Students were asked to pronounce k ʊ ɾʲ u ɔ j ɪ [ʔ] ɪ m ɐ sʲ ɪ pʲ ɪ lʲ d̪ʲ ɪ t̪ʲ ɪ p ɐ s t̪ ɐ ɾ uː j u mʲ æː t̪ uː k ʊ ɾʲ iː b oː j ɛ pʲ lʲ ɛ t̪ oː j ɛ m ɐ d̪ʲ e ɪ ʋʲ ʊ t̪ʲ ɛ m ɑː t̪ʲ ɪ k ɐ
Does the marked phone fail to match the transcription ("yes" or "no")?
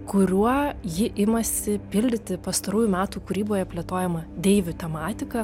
no